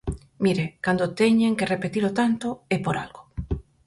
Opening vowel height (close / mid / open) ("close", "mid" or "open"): close